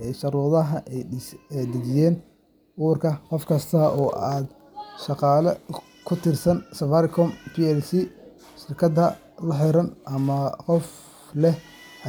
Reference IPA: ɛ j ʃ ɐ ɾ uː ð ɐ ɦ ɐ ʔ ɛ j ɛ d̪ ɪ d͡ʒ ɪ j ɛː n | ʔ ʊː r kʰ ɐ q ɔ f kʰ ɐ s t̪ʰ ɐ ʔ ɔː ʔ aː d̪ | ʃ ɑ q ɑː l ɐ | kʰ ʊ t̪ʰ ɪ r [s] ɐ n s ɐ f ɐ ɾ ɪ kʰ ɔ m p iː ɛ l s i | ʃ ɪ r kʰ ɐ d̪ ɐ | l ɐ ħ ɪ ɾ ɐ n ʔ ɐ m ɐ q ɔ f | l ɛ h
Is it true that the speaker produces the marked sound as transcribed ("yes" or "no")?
yes